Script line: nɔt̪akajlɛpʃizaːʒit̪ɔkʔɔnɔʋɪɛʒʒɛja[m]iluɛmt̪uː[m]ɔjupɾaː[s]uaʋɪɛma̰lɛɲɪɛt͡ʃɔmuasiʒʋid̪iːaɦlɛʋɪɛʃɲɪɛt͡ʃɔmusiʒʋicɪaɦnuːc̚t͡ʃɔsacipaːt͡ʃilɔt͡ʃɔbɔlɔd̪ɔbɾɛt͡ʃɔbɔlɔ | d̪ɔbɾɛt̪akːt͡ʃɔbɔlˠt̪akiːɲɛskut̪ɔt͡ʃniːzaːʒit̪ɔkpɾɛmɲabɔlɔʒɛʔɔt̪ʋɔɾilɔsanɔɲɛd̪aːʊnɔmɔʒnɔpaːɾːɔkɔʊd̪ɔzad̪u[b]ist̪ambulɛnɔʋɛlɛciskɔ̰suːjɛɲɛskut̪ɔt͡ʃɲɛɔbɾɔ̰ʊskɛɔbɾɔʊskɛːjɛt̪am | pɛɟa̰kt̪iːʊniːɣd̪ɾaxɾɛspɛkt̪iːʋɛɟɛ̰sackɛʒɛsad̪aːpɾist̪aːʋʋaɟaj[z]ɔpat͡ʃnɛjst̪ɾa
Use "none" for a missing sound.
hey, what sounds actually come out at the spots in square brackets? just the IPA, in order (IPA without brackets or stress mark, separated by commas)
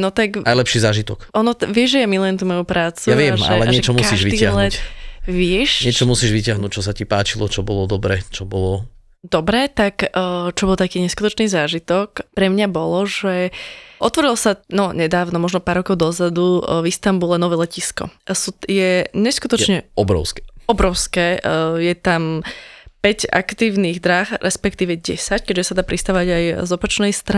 m, m, t͡s, v, z